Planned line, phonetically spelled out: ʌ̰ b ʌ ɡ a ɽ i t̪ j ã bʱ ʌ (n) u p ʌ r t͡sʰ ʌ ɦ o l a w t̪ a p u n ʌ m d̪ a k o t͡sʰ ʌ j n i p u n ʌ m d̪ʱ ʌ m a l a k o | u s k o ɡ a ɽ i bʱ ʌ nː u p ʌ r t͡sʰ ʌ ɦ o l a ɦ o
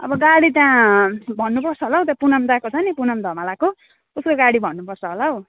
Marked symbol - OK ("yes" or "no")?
no